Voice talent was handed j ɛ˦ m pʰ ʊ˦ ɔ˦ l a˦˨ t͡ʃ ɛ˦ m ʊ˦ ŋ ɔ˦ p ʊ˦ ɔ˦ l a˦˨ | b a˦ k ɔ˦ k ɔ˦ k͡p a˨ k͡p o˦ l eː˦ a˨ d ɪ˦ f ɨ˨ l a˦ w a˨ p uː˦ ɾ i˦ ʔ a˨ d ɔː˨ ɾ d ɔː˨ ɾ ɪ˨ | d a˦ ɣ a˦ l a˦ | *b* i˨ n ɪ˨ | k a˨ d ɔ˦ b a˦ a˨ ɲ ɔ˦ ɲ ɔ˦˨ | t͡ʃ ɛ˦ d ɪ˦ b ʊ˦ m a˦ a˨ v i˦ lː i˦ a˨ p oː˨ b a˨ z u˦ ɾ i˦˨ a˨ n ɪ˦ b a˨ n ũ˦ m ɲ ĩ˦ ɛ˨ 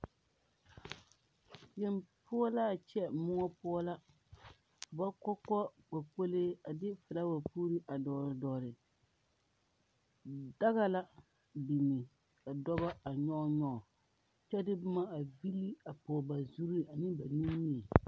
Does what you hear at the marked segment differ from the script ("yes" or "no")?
no